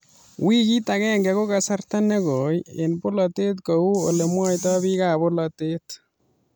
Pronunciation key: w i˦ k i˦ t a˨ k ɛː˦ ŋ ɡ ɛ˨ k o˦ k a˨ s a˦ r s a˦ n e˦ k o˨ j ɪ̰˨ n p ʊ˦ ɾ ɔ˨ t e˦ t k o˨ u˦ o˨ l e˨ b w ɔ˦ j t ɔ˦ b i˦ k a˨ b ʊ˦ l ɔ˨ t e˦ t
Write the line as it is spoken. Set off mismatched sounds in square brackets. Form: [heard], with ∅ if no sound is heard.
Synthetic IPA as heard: w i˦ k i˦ t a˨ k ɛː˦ ŋ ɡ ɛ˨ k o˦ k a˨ s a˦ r [t] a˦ n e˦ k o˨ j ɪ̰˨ n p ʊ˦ [l] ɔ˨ t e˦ t k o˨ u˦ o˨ l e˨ [m] w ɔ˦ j t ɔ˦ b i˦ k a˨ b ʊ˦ l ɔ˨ t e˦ t